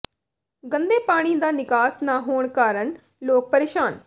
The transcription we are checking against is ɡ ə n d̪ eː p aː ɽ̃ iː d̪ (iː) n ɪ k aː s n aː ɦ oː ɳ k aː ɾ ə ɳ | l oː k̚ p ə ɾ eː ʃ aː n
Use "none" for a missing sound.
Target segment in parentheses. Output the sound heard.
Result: aː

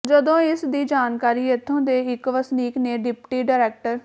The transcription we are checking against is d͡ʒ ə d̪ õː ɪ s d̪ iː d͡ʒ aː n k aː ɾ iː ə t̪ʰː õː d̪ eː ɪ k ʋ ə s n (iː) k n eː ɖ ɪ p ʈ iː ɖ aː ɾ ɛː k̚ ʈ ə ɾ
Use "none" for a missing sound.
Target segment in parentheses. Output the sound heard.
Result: iː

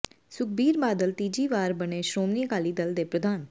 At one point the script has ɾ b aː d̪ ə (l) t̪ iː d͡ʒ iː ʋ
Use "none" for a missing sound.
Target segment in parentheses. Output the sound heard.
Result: l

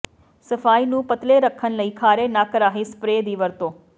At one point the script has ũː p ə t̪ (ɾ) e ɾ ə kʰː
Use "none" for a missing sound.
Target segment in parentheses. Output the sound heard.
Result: l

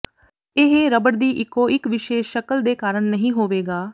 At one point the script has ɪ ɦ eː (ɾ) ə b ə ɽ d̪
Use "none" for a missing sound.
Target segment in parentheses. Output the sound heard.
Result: ɾ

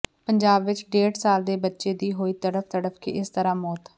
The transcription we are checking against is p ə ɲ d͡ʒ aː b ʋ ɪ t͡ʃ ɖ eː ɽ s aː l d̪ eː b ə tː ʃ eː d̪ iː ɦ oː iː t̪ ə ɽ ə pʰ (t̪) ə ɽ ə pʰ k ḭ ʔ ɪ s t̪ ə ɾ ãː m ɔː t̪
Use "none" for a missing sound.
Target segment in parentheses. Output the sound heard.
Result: t̪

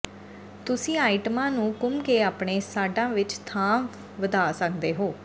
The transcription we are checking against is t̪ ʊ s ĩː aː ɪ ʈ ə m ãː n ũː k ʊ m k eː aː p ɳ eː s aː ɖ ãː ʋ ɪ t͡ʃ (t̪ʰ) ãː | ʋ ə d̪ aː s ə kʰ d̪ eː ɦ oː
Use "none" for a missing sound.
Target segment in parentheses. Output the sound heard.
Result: t̪ʰ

